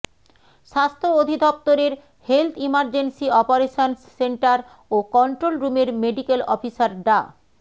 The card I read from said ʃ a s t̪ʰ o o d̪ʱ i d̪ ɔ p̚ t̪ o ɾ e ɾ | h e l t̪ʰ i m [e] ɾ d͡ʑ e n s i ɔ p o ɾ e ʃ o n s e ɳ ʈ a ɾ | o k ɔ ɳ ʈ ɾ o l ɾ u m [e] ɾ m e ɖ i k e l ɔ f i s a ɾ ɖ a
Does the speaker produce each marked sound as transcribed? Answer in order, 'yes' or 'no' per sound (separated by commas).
no, yes